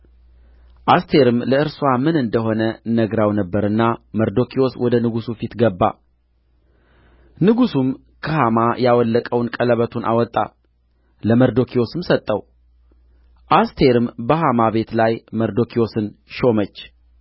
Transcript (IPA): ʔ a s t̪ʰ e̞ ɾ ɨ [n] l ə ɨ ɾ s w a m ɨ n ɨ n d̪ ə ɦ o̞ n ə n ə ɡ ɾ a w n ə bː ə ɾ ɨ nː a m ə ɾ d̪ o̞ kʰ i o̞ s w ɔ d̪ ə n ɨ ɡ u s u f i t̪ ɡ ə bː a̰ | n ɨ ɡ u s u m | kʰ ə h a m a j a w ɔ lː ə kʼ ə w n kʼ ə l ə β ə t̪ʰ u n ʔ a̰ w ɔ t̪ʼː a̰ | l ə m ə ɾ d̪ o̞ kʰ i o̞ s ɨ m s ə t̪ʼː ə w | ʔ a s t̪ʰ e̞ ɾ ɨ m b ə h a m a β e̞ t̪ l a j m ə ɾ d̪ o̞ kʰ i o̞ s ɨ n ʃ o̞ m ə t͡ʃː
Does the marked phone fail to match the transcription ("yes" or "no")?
yes